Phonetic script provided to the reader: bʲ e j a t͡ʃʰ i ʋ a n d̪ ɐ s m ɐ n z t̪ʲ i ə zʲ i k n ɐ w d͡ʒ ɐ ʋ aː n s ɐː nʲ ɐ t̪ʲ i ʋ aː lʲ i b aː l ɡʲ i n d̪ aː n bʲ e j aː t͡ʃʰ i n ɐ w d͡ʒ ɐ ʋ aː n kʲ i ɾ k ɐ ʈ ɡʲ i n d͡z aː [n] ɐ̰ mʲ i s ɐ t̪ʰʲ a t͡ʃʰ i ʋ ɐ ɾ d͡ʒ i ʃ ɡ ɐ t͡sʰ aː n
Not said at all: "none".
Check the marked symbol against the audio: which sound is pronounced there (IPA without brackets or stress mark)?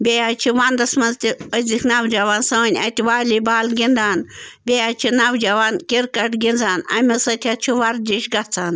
n